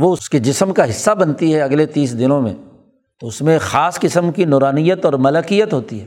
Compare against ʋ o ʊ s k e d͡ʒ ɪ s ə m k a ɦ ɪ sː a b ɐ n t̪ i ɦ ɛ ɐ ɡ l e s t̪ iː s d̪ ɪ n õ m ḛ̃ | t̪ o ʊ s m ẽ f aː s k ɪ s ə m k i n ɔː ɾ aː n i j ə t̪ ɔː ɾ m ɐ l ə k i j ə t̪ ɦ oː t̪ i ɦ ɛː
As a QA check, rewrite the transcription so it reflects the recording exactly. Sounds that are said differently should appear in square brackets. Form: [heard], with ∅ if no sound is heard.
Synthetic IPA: ʋ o ʊ s k e d͡ʒ ɪ s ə m k a ɦ ɪ sː a b ɐ n t̪ i ɦ ɛ ɐ ɡ l e [∅] t̪ iː s d̪ ɪ n õ m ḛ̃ | t̪ o ʊ s m ẽ [x] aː s k ɪ s ə m k i n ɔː ɾ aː n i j ə t̪ ɔː ɾ m ɐ l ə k i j ə t̪ ɦ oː t̪ i ɦ ɛː